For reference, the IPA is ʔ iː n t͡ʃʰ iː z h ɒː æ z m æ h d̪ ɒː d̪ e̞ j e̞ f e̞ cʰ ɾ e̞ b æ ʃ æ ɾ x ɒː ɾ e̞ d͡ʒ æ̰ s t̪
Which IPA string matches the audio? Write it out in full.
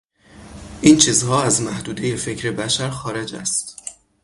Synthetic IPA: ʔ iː n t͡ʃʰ iː z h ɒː æ z m æ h d̪ uː d̪ e̞ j e̞ f e̞ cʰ ɾ e̞ b æ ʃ æ ɾ x ɒː ɾ e̞ d͡ʒ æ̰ s t̪